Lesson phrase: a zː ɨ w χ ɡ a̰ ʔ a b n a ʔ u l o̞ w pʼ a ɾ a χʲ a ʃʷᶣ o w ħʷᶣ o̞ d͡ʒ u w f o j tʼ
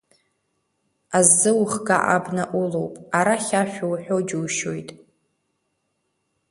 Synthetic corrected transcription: a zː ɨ w χ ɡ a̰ ʔ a b n a ʔ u l o̞ w pʼ a ɾ a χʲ a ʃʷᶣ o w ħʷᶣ o̞ d͡ʒ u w ʃ o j tʼ